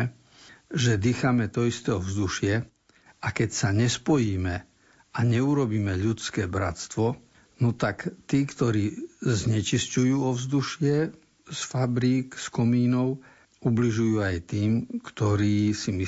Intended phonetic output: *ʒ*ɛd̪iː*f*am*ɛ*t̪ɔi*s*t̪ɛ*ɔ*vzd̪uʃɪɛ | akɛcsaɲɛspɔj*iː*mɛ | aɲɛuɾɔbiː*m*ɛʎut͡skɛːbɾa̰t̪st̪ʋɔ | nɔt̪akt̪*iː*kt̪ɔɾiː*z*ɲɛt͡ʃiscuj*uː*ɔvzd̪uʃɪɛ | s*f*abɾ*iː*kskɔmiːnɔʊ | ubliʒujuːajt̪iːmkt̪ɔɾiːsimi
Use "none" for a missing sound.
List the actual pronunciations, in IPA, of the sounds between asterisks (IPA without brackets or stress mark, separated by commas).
ʒ, x, ɛ, s, ɔ, iː, m, iː, z, uː, f, iː